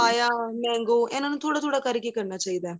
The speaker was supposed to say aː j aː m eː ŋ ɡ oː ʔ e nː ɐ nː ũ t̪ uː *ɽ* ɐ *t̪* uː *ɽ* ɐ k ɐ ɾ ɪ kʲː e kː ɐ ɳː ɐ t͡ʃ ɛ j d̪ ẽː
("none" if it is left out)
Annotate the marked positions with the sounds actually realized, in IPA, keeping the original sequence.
ɽ, t̪, ɽ

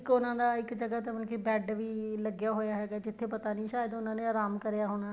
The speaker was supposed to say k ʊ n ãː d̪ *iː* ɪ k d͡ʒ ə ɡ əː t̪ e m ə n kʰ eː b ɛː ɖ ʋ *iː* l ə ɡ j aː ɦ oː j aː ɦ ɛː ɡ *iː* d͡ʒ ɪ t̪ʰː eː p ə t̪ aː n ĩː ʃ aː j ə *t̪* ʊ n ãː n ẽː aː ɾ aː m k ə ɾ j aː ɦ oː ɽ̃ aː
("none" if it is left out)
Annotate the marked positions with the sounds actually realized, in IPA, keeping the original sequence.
aː, iː, aː, d̪

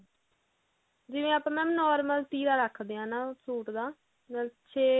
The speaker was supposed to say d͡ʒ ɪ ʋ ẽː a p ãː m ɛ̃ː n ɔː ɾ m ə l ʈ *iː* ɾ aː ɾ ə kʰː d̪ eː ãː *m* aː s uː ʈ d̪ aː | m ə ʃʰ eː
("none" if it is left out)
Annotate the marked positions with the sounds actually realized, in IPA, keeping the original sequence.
iː, n

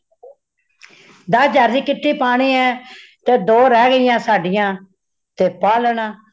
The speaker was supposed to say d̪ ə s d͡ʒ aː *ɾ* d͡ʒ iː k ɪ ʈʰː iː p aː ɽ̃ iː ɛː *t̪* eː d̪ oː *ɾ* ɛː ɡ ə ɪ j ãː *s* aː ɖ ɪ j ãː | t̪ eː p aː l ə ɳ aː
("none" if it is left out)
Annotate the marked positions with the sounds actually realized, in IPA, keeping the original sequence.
ɾ, t̪, ɾ, s

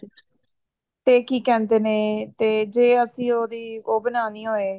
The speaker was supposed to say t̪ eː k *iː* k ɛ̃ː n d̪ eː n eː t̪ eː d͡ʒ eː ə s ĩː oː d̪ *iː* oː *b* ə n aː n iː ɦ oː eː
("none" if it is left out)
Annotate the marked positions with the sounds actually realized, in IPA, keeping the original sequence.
iː, iː, b

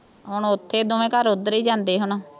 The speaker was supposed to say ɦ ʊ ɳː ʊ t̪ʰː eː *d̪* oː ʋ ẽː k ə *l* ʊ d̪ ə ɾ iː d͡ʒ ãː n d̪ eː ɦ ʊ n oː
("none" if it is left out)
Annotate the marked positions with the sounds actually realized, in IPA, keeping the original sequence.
d̪, ɾ

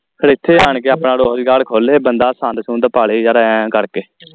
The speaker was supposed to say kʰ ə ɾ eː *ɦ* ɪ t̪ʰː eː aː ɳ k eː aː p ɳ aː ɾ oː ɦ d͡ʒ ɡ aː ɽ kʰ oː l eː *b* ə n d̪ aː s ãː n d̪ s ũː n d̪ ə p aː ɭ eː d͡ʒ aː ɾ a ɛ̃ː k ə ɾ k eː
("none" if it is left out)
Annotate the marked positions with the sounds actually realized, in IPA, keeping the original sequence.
none, b

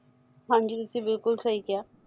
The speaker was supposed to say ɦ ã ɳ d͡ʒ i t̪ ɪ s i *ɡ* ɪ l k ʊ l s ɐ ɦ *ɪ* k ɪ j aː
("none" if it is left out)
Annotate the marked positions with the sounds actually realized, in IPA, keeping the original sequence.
b, i

